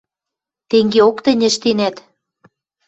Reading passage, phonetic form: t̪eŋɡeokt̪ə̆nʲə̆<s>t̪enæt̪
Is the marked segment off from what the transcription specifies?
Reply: yes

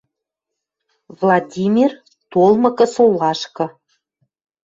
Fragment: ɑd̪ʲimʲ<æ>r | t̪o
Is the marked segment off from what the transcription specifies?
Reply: yes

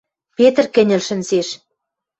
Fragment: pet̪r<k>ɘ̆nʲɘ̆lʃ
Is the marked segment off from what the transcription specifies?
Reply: no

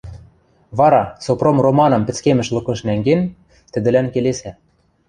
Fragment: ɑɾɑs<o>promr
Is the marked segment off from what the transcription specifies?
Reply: no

